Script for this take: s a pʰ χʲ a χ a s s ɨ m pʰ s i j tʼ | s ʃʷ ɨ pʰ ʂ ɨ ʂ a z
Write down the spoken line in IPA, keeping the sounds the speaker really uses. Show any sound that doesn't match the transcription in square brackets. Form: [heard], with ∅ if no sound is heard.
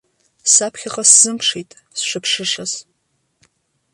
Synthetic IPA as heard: s a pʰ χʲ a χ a s [z] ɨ m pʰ [ʂ] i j tʼ | s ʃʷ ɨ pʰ ʂ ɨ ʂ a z